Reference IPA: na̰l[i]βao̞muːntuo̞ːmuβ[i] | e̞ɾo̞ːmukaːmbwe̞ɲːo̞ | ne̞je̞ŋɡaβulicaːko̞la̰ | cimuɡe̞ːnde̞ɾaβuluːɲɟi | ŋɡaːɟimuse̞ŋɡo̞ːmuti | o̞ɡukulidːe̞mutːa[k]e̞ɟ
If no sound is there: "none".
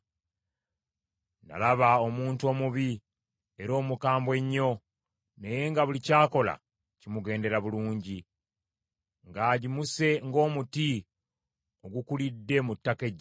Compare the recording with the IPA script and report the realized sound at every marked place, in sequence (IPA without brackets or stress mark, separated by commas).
a, i, k